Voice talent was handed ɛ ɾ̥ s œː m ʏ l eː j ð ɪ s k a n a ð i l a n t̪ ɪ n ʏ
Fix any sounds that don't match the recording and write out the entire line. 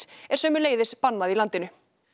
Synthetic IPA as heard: ɛ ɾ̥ s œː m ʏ l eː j ð ɪ s p a nː a ð i l a n t̪ ɪ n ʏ